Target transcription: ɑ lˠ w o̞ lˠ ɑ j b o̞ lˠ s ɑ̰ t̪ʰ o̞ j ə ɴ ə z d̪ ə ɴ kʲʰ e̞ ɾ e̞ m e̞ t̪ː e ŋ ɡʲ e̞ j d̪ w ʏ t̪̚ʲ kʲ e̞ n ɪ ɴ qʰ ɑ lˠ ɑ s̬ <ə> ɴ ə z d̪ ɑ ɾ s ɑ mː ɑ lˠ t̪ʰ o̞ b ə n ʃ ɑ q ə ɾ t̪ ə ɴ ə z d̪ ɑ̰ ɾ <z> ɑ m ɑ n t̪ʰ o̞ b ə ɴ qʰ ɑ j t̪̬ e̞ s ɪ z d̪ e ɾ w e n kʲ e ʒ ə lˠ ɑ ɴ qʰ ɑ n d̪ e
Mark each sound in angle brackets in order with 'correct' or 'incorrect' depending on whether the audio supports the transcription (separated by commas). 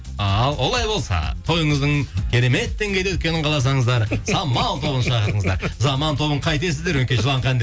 incorrect, correct